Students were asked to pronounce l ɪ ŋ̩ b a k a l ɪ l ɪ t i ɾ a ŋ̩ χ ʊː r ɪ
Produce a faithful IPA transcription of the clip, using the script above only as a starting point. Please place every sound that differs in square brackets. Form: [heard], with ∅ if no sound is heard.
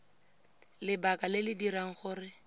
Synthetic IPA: l ɪ [∅] b a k a l ɪ l ɪ [d] i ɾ a ŋ̩ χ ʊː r ɪ